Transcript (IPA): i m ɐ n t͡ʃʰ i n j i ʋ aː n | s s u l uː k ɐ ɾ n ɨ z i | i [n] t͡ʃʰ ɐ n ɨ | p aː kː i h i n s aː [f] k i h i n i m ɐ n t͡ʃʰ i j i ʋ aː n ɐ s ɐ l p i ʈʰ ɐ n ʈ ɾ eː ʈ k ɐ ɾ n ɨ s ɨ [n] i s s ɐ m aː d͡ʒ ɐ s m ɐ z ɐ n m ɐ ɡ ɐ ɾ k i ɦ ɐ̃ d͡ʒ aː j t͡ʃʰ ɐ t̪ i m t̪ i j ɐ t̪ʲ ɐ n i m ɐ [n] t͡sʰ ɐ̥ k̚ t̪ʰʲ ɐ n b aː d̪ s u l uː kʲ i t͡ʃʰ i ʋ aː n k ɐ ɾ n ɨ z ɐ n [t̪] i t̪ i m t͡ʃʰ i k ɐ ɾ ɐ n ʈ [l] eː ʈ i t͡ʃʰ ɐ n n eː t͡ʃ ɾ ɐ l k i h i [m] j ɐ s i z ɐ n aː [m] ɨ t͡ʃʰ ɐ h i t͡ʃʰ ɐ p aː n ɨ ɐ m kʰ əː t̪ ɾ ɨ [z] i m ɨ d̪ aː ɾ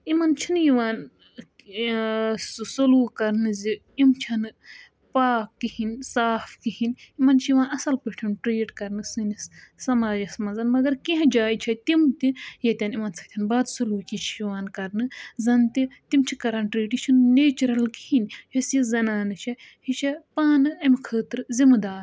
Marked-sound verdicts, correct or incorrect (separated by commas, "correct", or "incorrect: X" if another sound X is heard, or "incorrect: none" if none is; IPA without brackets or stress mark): incorrect: m, correct, correct, correct, correct, incorrect: ɾ, incorrect: n, incorrect: n, correct